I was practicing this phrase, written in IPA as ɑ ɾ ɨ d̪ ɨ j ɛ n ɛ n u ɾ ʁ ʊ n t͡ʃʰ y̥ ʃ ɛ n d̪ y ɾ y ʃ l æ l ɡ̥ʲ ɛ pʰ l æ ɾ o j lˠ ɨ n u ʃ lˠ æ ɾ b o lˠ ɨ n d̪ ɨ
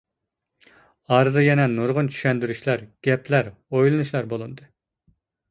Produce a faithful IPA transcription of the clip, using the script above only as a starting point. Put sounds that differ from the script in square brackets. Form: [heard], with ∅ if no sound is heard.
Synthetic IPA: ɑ ɾ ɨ d̪ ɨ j ɛ n ɛ n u ɾ ʁ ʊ n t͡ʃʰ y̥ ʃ ɛ n d̪ y ɾ y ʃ l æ [ɾ] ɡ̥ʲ ɛ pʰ l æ ɾ o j lˠ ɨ n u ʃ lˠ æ ɾ b o lˠ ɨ n d̪ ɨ